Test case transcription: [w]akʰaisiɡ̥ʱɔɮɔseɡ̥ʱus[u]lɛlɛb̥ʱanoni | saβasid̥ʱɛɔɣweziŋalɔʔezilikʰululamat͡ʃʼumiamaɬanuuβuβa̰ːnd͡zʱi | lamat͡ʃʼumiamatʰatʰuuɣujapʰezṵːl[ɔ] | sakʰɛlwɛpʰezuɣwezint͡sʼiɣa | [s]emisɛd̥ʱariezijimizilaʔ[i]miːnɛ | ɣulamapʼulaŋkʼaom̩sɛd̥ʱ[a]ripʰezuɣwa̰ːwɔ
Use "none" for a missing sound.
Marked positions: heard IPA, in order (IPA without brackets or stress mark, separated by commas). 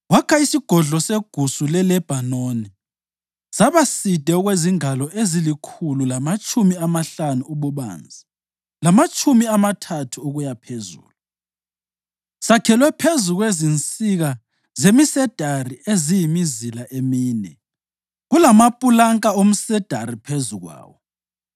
w, u, u, z, e, a